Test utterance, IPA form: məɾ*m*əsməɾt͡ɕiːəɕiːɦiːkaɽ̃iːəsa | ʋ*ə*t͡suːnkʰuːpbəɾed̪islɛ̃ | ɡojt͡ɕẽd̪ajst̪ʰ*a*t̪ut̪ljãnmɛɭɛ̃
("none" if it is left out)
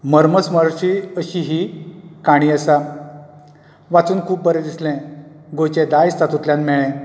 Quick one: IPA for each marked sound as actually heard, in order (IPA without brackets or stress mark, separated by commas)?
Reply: m, a, a